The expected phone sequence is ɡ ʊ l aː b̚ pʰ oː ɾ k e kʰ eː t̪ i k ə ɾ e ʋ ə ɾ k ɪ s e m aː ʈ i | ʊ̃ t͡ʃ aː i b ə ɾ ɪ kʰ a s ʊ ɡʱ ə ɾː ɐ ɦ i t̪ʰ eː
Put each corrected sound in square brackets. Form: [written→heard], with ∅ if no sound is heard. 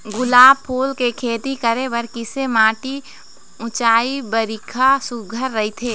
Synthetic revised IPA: ɡ ʊ l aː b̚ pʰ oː [ɾ→l] k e kʰ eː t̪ i k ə ɾ e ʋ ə ɾ k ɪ s e m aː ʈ i | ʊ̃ t͡ʃ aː i b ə ɾ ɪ kʰ a s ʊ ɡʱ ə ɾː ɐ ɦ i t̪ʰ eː